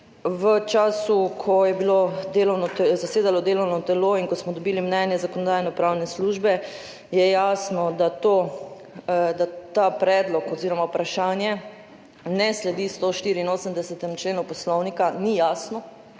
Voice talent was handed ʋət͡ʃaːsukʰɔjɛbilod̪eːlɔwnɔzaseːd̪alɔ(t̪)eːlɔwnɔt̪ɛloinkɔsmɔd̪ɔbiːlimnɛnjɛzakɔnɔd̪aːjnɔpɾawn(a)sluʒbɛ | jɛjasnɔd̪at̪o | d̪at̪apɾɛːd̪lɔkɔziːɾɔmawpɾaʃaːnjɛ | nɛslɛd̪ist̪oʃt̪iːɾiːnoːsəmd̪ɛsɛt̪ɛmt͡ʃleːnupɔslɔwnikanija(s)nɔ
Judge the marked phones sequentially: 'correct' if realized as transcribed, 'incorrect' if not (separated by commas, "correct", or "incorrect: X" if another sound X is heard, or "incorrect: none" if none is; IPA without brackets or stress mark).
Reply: incorrect: d̪, incorrect: ɛ, correct